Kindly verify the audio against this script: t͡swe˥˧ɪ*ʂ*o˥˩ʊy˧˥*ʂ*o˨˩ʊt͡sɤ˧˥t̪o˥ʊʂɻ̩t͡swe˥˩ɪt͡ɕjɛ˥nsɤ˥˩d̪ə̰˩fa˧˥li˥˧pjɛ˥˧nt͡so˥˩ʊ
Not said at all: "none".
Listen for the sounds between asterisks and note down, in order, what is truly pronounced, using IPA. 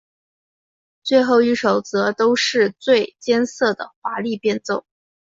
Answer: x, ʂ

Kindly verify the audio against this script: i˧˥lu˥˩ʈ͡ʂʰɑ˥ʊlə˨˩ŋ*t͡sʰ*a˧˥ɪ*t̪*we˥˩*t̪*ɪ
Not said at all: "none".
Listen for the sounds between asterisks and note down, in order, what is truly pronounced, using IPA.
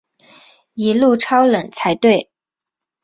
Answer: t͡sʰ, t̪, none

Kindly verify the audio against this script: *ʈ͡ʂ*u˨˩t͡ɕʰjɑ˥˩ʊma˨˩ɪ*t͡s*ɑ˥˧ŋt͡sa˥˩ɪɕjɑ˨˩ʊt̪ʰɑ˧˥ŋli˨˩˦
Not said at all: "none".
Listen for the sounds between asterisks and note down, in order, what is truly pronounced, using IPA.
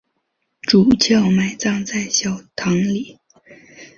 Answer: ʈ͡ʂ, t͡s

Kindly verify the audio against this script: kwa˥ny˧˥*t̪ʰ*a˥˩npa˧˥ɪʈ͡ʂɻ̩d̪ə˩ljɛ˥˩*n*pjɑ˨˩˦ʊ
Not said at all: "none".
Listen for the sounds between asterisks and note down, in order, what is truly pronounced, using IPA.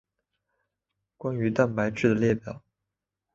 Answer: t̪, none

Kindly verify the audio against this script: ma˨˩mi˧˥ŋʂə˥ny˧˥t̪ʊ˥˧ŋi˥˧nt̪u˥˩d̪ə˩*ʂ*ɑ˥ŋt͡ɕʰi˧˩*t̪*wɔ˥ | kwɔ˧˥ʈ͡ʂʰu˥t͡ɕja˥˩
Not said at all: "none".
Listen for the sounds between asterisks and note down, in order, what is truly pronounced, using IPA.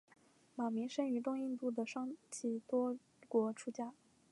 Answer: ʂ, t̪

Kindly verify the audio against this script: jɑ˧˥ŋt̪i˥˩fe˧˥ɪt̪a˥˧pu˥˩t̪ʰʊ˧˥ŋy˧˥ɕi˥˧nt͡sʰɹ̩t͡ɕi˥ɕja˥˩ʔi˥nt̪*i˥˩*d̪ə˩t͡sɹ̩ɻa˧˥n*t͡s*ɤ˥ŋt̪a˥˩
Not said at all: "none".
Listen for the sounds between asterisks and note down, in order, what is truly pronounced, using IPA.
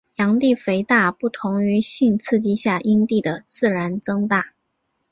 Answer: i˥˩, t͡s

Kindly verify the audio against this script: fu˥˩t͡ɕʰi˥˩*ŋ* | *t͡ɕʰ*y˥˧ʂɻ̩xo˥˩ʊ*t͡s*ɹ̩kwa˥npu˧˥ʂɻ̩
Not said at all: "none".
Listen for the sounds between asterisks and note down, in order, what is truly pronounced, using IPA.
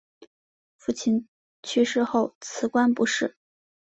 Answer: n, t͡ɕʰ, t͡sʰ

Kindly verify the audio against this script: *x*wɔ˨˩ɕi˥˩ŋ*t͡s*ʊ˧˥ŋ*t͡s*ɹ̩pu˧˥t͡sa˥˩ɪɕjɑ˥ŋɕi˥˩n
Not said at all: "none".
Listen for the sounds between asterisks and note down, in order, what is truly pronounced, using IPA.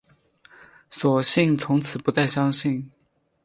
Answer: s, t͡sʰ, t͡sʰ

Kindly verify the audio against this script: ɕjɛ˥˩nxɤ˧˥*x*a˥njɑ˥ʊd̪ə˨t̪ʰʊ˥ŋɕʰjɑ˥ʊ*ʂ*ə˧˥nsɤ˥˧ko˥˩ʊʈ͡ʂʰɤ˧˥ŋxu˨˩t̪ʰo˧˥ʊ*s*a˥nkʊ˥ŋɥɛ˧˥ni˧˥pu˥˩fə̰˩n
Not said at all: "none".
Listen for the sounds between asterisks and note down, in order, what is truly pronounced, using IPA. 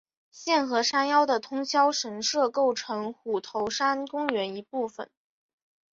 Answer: ʂ, ʂ, ʂ

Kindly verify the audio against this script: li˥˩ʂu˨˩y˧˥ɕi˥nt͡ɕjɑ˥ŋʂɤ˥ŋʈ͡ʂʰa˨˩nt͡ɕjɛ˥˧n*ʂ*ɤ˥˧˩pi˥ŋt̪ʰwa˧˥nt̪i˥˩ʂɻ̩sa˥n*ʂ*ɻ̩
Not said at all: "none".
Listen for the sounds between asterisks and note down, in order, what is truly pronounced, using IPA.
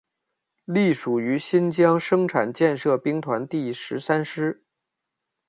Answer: ʂ, ʂ

